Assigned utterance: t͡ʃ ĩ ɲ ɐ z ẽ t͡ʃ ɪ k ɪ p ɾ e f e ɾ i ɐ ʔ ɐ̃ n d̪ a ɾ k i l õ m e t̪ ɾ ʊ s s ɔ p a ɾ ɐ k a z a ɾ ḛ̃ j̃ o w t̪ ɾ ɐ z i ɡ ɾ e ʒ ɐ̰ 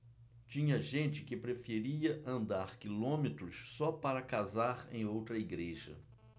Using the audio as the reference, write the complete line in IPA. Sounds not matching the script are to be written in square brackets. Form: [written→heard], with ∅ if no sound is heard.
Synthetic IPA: t͡ʃ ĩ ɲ ɐ [z→ʒ] ẽ t͡ʃ ɪ k ɪ p ɾ e f e ɾ i ɐ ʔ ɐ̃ n d̪ a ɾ k i l õ m e t̪ ɾ ʊ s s ɔ p a ɾ ɐ k a z a ɾ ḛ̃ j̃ o w t̪ ɾ ɐ [z→∅] i ɡ ɾ e ʒ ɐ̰

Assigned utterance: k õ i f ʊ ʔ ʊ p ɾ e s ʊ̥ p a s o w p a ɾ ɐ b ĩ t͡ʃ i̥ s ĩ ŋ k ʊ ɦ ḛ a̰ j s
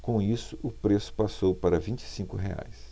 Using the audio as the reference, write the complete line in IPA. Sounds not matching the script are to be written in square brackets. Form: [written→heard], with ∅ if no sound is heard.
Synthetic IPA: k õ i [f→s] ʊ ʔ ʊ p ɾ e s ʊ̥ p a s o w p a ɾ ɐ [b→v] ĩ t͡ʃ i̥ s ĩ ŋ k ʊ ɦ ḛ a̰ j s

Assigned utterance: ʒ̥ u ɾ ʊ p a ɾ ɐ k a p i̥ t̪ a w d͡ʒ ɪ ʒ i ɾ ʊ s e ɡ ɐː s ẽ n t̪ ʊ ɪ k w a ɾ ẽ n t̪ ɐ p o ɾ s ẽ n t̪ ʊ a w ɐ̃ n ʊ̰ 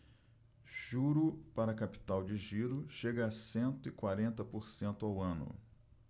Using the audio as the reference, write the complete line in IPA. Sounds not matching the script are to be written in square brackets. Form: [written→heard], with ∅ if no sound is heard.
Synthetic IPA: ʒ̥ u ɾ ʊ p a ɾ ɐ k a p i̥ t̪ a w d͡ʒ ɪ ʒ i ɾ ʊ [s→ʃ] e ɡ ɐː s ẽ n t̪ ʊ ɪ k w a ɾ ẽ n t̪ ɐ p o ɾ s ẽ n t̪ ʊ a w ɐ̃ n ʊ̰

